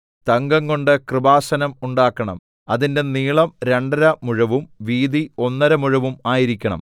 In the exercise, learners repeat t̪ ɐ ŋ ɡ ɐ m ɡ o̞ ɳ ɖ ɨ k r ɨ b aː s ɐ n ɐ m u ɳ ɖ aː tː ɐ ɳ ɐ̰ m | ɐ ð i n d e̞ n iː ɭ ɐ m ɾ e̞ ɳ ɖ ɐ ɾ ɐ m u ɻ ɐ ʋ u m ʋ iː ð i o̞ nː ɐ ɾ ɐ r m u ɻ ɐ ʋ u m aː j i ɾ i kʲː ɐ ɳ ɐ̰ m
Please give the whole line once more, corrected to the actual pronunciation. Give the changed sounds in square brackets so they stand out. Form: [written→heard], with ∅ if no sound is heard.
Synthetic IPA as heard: t̪ ɐ ŋ ɡ ɐ [m→ŋ] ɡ o̞ ɳ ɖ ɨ k r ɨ b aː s ɐ n ɐ m u ɳ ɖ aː [tː→kː] ɐ ɳ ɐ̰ m | ɐ ð i n d e̞ n iː ɭ ɐ m ɾ e̞ ɳ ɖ ɐ ɾ ɐ m u ɻ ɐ ʋ u m ʋ iː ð i o̞ nː ɐ ɾ ɐ [r→∅] m u ɻ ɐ ʋ u m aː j i ɾ i kʲː ɐ ɳ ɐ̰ m